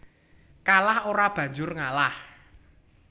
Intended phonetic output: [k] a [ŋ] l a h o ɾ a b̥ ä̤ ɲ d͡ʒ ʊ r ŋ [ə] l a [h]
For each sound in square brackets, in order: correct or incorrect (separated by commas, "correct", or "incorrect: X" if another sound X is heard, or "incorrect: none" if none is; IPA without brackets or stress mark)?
correct, incorrect: none, incorrect: a, correct